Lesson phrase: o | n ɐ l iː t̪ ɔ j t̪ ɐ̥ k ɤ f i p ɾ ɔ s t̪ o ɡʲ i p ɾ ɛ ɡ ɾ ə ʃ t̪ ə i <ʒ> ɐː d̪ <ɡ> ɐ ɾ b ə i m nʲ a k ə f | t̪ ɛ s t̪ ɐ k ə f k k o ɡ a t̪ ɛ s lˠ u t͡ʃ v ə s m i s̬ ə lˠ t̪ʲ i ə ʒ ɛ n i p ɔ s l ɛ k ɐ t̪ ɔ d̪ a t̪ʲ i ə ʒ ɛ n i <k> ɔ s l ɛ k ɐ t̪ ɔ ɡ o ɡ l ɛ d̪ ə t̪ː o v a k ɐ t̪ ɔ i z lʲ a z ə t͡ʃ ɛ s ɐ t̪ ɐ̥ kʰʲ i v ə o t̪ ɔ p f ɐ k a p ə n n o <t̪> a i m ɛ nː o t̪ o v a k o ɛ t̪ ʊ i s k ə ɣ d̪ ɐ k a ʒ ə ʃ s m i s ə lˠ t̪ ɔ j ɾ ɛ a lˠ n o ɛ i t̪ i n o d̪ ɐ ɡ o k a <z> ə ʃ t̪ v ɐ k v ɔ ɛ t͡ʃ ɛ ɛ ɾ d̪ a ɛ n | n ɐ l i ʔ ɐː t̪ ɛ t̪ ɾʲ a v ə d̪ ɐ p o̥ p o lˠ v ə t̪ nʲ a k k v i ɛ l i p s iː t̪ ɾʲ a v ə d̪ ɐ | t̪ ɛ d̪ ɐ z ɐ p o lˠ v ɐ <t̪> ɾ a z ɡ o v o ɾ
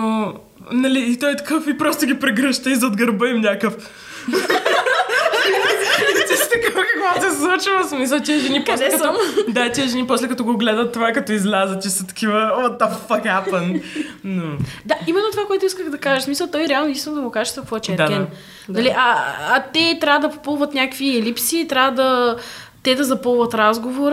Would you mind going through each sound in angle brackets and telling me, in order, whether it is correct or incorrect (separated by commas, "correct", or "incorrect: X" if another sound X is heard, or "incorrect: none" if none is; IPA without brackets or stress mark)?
incorrect: z, correct, incorrect: p, incorrect: d̪, incorrect: ʒ, correct